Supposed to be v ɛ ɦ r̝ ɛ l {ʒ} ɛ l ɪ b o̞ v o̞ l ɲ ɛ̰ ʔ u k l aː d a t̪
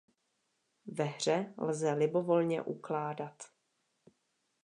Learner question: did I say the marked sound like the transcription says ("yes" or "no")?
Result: no